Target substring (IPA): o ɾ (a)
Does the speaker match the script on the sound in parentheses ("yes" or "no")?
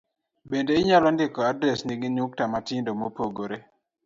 no